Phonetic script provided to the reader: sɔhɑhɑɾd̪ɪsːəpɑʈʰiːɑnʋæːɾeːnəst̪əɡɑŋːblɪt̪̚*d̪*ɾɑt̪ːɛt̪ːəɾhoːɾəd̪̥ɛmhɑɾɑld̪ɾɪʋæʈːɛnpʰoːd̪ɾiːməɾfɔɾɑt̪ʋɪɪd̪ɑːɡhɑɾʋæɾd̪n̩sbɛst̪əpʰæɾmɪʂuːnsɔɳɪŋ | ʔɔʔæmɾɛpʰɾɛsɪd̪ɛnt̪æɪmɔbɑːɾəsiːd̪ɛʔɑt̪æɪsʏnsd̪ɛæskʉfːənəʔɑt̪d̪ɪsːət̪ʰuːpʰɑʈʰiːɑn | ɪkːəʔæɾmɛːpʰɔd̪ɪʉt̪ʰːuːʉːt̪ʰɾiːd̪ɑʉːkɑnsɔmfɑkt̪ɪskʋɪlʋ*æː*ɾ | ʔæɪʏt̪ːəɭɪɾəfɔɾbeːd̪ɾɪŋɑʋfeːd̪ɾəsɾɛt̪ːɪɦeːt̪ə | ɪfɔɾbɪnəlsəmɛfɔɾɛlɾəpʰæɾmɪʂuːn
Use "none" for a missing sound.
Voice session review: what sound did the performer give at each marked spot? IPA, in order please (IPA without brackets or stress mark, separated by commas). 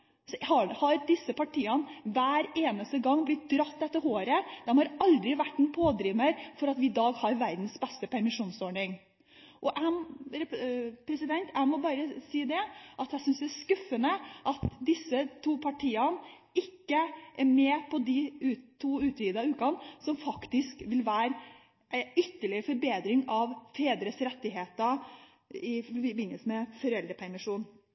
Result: d̪, æː